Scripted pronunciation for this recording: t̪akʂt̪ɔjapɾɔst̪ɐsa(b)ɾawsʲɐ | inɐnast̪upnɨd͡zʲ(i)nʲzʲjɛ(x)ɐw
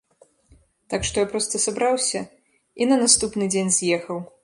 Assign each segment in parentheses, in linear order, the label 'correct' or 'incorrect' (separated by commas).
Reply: correct, incorrect, correct